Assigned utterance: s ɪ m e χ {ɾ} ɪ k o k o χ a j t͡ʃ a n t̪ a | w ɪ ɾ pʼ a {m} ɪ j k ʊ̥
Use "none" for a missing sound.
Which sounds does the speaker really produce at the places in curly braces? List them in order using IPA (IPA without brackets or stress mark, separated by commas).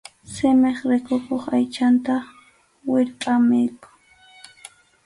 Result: ɾ, m